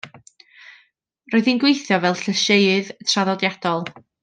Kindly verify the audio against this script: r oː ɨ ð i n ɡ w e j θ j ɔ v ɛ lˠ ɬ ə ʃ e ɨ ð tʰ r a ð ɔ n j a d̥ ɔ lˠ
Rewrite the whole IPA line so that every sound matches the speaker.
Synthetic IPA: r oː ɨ ð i n ɡ w e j θ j ɔ v ɛ lˠ ɬ ə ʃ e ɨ ð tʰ r a ð ɔ d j a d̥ ɔ lˠ

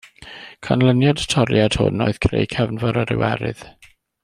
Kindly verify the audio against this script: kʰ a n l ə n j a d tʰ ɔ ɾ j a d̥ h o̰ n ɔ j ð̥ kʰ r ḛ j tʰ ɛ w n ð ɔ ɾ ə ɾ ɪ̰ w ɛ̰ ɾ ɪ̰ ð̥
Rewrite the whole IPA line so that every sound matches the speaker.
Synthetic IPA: kʰ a n l ə n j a d tʰ ɔ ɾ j a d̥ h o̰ n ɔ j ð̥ kʰ r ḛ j kʰ ɛ v n v ɔ ɾ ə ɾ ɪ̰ w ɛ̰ ɾ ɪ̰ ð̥

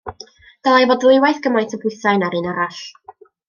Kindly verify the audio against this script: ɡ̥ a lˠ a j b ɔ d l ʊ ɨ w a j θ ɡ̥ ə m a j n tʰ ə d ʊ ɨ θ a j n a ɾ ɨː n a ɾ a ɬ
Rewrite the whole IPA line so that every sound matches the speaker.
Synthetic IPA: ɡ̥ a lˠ a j v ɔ d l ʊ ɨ w a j θ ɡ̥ ə m a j n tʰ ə b ʊ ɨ θ a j n a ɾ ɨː n a ɾ a ɬ

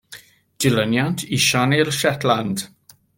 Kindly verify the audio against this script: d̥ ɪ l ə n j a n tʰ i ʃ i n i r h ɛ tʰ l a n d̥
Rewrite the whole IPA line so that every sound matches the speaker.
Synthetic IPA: d̥ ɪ l ə n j a n tʰ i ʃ a n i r ʃ ɛ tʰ l a n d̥

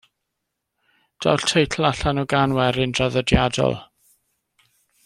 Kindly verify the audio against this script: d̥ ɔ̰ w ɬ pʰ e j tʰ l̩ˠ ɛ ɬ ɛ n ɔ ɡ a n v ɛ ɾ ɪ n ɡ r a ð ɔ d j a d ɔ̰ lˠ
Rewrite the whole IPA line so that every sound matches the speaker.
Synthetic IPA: d̥ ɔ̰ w ɬ tʰ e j tʰ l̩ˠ a ɬ a n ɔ ɡ a n w ɛ ɾ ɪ n d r a ð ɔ d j a d ɔ̰ lˠ

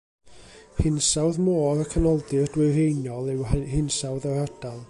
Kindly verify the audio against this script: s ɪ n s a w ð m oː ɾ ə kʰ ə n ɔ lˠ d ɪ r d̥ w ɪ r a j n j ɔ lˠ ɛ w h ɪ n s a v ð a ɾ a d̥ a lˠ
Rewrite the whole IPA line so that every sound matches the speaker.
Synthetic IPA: h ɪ n s a w ð m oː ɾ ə kʰ ə n ɔ lˠ d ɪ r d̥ w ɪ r e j n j ɔ lˠ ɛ w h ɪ n s a w ð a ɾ a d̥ a lˠ

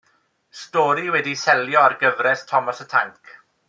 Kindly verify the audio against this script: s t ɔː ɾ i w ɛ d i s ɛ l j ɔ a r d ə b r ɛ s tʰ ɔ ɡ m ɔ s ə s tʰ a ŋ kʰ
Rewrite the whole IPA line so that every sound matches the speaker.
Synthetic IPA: s t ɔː ɾ i w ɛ d i s ɛ l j ɔ a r ɡ ə v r ɛ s tʰ ɔ m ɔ s ə tʰ a ŋ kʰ

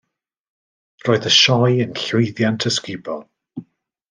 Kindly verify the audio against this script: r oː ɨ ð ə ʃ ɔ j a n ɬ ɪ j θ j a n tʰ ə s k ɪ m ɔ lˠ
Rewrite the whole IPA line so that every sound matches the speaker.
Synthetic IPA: r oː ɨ ð ə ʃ ɔ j ə n ɬ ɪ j ð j a n tʰ ə s k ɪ b ɔ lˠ

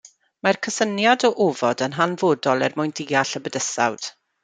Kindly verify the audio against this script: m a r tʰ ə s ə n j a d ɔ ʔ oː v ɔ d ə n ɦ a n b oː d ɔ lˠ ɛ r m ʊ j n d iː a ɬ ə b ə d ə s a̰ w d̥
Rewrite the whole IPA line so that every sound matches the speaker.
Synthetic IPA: m a r kʰ ə s ə n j a d ɔ ʔ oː v ɔ d ə n ɦ a n v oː d ɔ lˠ ɛ r m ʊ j n d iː a ɬ ə b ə d ə s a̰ w d̥

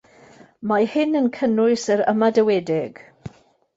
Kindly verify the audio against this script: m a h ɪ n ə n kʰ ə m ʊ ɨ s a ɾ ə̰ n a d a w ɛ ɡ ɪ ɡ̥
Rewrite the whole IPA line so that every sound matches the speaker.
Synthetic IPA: m a h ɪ n ə n kʰ ə n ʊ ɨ s ə ɾ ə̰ m a d ə w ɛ d ɪ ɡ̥

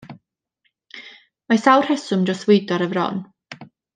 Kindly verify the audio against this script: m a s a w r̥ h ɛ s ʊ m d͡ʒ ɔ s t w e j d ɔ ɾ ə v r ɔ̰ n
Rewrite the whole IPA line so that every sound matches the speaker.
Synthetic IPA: m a s a w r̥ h ɛ s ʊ m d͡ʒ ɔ s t w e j d ɔ ɾ ə v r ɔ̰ n

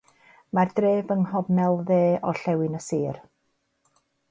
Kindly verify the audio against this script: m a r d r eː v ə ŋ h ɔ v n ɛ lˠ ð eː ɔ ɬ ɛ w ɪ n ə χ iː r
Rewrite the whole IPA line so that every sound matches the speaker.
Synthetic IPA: m a r d r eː v ə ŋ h ɔ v n ɛ lˠ ð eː ɔ ɬ ɛ w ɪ n ə s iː r

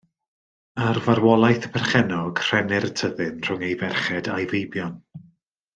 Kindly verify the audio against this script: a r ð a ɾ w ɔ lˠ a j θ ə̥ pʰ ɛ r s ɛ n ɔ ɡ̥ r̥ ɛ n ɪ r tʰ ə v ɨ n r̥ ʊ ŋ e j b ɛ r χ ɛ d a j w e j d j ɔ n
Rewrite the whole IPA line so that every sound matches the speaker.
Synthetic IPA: a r v a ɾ w ɔ lˠ a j θ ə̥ pʰ ɛ r χ ɛ n ɔ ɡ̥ r̥ ɛ n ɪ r tʰ ə ð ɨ n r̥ ʊ ŋ e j v ɛ r χ ɛ d a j v e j b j ɔ n

